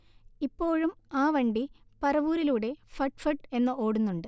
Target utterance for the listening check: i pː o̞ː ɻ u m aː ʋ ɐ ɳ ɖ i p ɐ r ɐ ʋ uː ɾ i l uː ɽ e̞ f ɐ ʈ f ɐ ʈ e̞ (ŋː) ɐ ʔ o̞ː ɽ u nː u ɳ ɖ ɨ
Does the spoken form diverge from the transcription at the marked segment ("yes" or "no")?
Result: yes